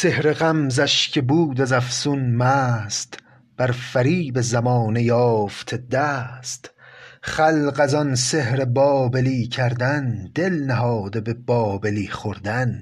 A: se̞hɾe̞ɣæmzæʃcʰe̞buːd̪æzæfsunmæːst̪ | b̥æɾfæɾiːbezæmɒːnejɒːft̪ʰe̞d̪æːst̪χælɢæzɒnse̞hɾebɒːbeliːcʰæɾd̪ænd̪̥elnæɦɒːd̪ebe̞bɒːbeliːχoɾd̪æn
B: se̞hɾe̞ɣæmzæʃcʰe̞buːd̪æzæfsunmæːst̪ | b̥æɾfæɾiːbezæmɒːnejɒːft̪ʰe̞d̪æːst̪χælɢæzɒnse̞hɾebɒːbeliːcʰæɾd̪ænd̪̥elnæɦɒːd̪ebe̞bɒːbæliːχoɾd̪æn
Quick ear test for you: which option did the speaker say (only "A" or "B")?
A